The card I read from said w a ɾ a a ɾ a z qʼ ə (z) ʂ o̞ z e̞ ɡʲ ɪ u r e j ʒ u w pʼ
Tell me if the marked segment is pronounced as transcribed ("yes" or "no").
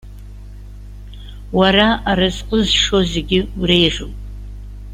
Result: yes